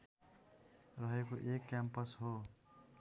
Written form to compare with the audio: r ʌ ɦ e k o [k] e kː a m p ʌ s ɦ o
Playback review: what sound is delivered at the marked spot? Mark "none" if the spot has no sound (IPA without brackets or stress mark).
ʔ